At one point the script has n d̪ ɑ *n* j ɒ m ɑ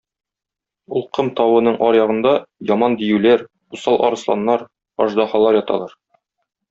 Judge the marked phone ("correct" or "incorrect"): incorrect